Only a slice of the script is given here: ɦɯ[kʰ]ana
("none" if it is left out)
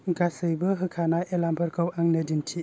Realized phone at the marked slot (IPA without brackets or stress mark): kʰ